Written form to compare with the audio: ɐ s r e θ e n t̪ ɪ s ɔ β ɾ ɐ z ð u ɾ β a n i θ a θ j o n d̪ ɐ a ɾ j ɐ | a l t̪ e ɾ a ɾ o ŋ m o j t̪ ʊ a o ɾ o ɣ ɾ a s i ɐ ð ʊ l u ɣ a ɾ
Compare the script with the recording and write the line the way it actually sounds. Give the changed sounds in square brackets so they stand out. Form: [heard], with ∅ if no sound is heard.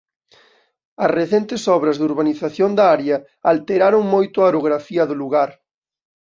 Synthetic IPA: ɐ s r e θ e n t̪ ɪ s ɔ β ɾ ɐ z ð u ɾ β a n i θ a θ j o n d̪ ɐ a ɾ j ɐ | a l t̪ e ɾ a ɾ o ŋ m o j t̪ ʊ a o ɾ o ɣ ɾ a [f] i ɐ ð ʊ l u ɣ a ɾ